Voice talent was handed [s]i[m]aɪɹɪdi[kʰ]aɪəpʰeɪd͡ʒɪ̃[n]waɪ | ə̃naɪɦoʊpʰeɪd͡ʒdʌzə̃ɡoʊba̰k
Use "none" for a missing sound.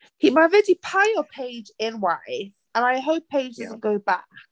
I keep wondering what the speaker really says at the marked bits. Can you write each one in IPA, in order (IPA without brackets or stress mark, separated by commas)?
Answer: h, m, pʰ, n